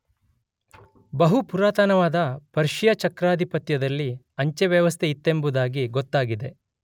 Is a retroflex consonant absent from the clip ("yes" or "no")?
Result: yes